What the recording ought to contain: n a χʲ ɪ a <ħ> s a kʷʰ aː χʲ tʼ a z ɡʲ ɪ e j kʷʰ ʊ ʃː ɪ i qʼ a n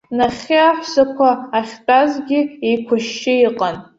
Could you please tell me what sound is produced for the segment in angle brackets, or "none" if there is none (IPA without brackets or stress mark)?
ħ